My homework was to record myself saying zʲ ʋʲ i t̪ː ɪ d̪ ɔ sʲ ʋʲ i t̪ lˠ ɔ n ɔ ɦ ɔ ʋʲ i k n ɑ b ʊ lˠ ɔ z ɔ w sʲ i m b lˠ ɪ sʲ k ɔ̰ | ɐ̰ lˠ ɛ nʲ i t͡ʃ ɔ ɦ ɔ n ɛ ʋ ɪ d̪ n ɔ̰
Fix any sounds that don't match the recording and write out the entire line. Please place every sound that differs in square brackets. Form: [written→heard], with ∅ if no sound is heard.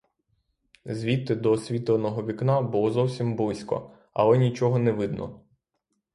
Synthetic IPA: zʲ ʋʲ i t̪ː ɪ d̪ ɔ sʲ ʋʲ i t̪ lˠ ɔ n ɔ ɦ ɔ ʋʲ i k n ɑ b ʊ lˠ ɔ z ɔ w sʲ i m b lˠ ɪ sʲ k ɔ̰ | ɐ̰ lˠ ɛ nʲ i t͡ʃ ɔ ɦ ɔ n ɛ ʋ ɪ d̪ n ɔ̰